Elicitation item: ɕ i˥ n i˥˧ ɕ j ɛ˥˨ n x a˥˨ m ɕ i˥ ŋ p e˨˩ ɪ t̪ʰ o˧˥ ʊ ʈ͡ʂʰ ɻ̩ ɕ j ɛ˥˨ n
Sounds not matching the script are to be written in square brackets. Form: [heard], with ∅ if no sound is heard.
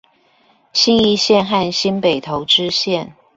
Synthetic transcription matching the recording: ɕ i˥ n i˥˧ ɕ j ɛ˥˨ n x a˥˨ [n] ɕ i˥ [n] p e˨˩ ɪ t̪ʰ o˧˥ ʊ [ʈ͡ʂ] ɻ̩ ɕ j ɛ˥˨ n